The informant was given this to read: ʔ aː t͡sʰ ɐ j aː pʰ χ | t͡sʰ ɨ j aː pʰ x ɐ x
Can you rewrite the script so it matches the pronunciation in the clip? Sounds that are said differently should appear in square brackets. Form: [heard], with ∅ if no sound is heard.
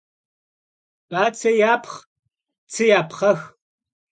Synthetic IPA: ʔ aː t͡sʰ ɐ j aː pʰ χ | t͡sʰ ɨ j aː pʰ [χ] ɐ x